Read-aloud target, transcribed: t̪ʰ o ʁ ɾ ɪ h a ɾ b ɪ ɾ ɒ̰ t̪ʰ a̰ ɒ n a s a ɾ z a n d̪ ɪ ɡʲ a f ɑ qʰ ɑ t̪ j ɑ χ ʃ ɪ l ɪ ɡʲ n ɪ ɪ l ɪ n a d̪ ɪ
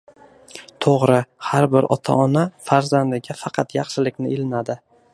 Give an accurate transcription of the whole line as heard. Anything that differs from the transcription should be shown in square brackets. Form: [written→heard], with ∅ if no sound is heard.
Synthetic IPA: t̪ʰ o ʁ ɾ ɪ h a ɾ b ɪ ɾ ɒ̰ t̪ʰ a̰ ɒ n a [s→f] a ɾ z a n d̪ ɪ ɡʲ a f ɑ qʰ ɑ t̪ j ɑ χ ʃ ɪ l ɪ [ɡʲ→kʲ] n ɪ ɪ l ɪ n a d̪ ɪ